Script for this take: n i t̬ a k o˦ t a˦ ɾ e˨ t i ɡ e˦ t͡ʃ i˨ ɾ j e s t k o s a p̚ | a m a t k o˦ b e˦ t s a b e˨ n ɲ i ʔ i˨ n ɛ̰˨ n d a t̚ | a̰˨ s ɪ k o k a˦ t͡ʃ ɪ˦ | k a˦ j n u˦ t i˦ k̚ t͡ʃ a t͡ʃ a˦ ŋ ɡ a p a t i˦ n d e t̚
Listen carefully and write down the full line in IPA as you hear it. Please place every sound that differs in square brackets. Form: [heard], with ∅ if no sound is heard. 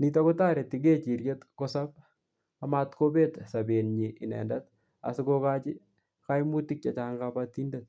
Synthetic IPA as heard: n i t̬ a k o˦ t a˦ ɾ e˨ t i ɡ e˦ t͡ʃ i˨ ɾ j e [∅] t k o s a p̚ | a m a t k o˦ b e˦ t s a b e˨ n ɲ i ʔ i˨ n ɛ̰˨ n d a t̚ | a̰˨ s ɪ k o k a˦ t͡ʃ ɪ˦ | k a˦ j [m] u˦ t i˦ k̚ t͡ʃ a t͡ʃ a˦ ŋ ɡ a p a t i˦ n d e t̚

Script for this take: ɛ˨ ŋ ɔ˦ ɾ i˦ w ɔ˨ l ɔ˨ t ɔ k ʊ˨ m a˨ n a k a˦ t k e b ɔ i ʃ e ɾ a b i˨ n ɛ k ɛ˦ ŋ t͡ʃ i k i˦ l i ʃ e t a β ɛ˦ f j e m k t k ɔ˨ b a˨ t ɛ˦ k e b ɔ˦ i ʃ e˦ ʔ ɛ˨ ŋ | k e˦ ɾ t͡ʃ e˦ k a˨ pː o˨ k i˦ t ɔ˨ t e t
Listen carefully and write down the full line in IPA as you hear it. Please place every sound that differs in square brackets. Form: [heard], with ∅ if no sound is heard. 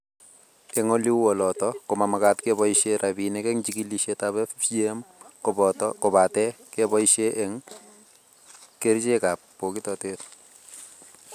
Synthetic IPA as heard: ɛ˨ ŋ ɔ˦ [l] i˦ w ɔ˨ l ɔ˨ t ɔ k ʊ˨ m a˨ [m] a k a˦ t k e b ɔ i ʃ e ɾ a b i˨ n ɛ k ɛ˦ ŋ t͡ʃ i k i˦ l i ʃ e t a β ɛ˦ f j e m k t k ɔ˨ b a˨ t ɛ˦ k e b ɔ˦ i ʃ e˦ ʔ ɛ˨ ŋ | k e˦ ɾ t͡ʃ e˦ k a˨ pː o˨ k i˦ t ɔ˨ t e t

